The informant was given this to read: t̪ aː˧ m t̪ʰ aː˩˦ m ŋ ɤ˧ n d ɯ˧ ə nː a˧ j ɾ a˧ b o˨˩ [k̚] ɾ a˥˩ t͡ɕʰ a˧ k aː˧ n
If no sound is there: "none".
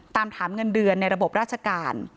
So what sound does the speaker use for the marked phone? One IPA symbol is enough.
p̚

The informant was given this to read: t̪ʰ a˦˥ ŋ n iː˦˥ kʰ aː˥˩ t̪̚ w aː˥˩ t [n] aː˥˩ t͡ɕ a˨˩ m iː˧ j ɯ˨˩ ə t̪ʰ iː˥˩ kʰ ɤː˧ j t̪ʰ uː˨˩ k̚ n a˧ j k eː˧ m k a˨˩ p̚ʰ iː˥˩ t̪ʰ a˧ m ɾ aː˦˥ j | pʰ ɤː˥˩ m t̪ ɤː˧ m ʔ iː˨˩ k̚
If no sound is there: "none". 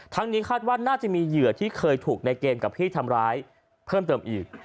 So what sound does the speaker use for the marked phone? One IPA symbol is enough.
n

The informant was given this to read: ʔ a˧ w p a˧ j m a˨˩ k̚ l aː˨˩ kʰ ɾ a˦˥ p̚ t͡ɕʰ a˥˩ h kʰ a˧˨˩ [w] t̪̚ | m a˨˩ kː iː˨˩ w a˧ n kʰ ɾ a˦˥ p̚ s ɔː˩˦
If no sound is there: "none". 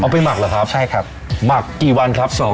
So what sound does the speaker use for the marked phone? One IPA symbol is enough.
none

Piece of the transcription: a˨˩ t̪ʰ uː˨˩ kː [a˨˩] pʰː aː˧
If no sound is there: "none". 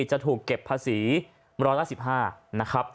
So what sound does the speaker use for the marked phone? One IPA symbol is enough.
e˨˩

